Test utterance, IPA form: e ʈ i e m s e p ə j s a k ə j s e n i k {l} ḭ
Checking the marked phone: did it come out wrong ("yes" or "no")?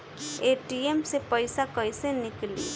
no